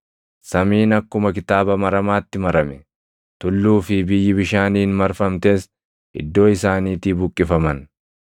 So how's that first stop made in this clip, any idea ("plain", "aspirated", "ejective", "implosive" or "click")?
plain